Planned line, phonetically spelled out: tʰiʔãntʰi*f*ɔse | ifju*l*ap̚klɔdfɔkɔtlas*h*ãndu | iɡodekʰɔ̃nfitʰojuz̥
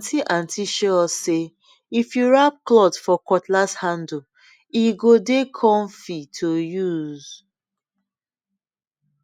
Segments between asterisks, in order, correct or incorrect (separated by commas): incorrect, incorrect, correct